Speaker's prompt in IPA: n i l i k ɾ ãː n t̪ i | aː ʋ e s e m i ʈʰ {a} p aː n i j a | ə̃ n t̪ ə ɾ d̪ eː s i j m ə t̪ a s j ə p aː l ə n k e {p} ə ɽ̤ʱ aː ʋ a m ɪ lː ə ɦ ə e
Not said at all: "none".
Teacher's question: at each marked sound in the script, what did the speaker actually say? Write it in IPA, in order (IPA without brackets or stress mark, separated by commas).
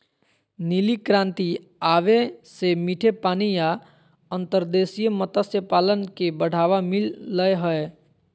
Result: e, b